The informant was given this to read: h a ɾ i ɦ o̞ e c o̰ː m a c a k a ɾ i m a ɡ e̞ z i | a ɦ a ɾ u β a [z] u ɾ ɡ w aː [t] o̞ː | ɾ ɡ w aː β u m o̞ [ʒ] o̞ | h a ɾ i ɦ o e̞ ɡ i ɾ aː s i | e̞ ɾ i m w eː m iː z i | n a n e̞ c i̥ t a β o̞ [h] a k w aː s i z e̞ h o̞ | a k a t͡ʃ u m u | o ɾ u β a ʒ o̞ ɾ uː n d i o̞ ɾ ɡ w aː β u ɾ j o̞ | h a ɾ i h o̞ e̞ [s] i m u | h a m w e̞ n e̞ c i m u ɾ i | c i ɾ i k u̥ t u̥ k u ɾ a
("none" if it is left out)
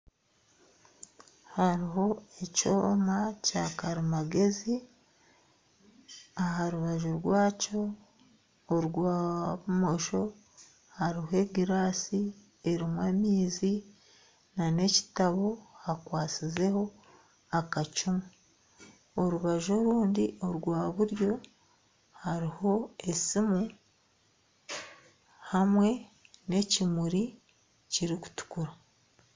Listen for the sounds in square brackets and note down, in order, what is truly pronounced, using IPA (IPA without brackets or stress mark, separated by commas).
ʒ, c, ʃ, h, s